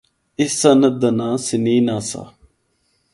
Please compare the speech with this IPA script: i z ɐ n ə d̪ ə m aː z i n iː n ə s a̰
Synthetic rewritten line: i s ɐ n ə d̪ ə n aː s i n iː n a s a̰